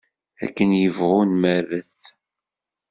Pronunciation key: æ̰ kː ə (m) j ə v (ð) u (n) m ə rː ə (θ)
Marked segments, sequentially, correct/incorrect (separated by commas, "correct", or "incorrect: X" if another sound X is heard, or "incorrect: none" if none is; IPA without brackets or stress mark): incorrect: n, incorrect: ʁ, correct, correct